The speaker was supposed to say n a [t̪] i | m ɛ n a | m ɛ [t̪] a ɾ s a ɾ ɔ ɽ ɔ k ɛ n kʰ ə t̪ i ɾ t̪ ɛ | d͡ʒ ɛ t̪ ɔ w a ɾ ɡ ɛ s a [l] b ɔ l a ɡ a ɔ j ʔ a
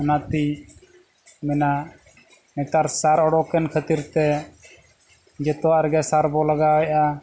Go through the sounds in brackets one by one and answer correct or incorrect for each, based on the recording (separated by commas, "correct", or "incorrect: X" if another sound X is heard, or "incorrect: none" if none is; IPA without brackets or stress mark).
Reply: correct, correct, incorrect: ɾ